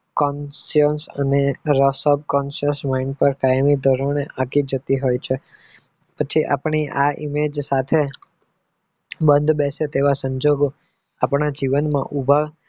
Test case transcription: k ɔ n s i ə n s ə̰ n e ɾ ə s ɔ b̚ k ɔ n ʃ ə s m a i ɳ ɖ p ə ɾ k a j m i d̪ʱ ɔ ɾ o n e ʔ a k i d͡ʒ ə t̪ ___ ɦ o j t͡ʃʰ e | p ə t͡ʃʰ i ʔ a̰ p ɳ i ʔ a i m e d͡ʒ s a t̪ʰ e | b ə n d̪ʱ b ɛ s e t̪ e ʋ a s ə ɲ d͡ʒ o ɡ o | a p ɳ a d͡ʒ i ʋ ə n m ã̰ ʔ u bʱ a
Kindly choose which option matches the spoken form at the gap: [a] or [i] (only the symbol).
i